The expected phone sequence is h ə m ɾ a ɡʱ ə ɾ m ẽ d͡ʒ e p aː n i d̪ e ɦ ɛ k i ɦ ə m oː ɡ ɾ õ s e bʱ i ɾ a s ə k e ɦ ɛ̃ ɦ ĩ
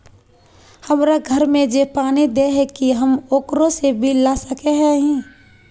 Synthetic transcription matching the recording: h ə m ɾ a ɡʱ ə ɾ m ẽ d͡ʒ e p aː n i d̪ e ɦ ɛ k i ɦ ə m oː k ɾ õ s e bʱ i l a s ə k e ɦ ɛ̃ ɦ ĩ